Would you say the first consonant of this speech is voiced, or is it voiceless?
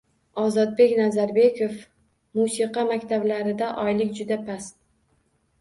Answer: voiced